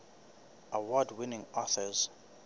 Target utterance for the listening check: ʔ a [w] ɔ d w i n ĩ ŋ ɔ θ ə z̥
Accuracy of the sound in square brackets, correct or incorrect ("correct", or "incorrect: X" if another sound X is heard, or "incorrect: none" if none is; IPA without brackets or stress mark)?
correct